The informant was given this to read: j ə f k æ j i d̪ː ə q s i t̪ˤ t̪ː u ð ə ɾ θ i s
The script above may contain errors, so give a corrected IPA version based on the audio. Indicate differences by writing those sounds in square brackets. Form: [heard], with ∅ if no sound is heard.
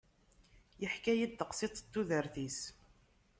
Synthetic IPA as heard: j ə [ħ] k æ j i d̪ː ə q s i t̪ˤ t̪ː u ð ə ɾ θ i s